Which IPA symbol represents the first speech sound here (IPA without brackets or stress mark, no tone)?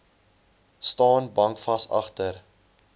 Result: s